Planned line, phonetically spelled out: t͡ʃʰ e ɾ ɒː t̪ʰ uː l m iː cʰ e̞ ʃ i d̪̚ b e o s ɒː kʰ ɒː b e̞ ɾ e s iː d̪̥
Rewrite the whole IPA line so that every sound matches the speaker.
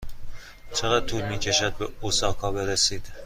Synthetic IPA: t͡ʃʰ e ɾ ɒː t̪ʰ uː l m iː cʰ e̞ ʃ æ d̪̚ b e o s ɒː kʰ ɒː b e̞ ɾ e s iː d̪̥